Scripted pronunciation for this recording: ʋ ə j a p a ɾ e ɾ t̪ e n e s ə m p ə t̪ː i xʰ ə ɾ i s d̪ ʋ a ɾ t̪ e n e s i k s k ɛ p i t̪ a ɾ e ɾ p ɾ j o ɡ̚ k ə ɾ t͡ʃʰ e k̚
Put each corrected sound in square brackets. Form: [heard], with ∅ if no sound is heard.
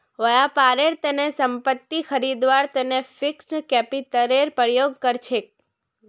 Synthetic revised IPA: ʋ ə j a p a ɾ e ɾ t̪ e n e s ə m p ə t̪ː i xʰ ə ɾ i [∅] d̪ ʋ a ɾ t̪ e n e [f] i k s k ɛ p i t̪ [ə] ɾ e ɾ p ɾ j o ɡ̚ k ə ɾ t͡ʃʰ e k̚